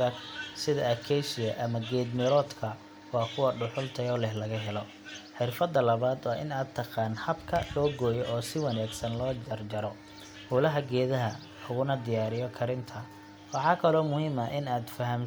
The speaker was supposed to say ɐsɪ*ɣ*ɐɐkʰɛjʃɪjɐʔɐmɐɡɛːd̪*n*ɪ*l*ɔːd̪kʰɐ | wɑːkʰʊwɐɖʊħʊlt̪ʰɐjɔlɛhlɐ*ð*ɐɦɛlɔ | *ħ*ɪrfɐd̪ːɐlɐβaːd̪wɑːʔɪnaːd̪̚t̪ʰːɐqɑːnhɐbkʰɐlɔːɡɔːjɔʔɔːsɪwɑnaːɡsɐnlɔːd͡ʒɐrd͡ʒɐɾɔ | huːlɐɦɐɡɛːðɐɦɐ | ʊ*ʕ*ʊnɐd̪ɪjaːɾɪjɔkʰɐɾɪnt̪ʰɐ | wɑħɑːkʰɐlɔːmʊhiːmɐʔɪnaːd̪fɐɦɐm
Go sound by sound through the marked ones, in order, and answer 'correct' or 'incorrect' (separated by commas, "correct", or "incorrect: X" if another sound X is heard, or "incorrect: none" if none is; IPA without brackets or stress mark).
incorrect: ð, incorrect: m, incorrect: ɾ, incorrect: ɣ, correct, incorrect: ɣ